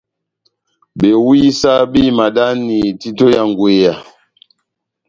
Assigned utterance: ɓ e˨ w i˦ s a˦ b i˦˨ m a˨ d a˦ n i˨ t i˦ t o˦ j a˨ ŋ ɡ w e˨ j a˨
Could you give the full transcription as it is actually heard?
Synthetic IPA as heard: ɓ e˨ w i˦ s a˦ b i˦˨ m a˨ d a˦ n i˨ t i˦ t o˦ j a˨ ŋ ɡ w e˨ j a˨